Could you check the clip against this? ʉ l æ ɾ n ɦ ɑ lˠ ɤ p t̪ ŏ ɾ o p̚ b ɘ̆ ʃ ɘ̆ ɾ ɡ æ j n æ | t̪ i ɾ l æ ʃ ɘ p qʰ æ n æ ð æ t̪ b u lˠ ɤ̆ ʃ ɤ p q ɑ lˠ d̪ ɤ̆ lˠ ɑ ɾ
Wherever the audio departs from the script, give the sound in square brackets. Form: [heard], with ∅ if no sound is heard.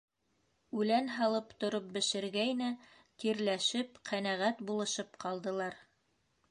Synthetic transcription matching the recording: ʉ l æ [∅] n ɦ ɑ lˠ ɤ p t̪ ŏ ɾ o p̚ b ɘ̆ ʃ ɘ̆ ɾ ɡ æ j n æ | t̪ i ɾ l æ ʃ ɘ p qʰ æ n æ [ʁ] æ t̪ b u lˠ ɤ̆ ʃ ɤ p q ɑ lˠ d̪ ɤ̆ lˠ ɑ ɾ